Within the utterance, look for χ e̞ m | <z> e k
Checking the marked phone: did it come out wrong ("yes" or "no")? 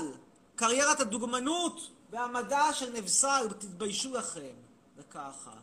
yes